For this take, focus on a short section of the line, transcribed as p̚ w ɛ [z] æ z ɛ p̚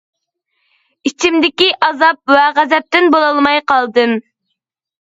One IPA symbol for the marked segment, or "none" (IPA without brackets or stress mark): ʁ